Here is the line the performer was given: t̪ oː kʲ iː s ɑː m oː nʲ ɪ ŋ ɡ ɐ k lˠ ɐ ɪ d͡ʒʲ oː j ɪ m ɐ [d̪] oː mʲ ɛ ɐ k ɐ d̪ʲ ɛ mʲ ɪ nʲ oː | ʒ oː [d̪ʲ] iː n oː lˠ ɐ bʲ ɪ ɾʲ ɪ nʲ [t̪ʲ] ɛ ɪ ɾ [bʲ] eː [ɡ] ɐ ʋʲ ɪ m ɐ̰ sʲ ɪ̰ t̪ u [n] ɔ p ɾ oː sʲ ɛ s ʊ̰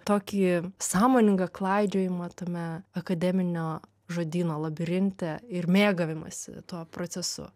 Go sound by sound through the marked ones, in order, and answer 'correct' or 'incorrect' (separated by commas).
incorrect, correct, correct, incorrect, correct, incorrect